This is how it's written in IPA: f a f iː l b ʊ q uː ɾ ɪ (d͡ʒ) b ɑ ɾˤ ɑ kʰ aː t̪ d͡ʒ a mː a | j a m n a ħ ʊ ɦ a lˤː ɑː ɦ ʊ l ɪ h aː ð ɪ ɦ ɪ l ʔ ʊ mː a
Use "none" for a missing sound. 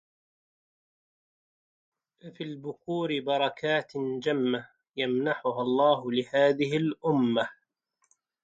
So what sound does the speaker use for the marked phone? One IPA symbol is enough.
none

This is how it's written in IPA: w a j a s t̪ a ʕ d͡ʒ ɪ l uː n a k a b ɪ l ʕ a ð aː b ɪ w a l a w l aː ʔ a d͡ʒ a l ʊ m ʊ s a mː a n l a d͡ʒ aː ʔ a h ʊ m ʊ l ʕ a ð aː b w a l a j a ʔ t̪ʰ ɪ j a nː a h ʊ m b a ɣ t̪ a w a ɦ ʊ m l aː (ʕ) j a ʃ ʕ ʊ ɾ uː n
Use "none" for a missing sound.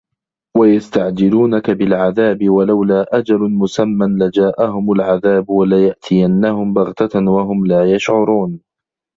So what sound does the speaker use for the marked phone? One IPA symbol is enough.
none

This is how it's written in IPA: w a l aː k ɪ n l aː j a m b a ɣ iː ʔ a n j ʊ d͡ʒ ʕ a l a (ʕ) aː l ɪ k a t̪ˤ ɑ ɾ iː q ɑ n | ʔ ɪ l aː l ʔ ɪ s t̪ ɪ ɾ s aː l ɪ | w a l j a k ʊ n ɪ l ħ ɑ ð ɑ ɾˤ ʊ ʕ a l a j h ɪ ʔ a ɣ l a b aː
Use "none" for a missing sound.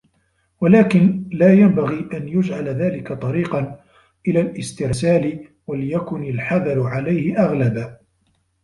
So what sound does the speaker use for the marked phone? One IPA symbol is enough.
ð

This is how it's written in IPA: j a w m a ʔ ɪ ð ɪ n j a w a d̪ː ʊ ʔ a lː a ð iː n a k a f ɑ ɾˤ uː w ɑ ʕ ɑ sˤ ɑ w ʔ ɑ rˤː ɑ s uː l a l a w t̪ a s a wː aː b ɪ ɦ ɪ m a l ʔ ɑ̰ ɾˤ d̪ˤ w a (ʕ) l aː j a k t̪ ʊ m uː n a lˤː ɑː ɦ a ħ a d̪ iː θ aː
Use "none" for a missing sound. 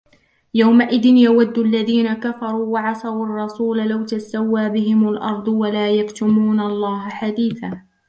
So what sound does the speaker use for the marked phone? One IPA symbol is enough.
none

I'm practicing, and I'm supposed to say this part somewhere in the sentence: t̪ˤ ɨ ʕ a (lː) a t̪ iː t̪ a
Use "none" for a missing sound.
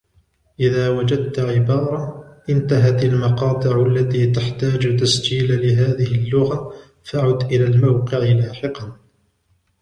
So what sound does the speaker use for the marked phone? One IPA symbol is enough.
lː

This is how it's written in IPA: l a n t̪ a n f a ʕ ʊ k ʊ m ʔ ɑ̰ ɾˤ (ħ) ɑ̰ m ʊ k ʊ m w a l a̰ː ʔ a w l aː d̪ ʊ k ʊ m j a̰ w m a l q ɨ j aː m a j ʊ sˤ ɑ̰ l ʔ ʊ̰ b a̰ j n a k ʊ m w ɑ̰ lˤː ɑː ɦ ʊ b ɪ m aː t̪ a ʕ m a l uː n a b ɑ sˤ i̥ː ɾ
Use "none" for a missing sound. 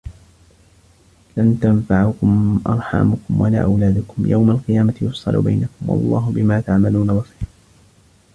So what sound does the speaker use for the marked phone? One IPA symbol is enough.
ħ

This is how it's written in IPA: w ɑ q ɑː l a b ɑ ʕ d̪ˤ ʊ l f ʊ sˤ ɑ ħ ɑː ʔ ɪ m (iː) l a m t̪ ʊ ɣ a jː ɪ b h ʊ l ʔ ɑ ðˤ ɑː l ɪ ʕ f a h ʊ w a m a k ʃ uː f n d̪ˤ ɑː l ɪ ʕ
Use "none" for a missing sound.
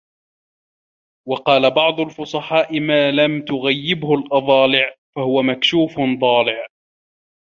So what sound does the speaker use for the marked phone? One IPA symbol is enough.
aː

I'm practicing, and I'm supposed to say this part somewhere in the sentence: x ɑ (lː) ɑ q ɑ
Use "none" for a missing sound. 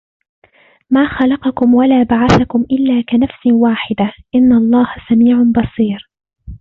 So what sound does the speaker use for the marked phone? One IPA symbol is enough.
l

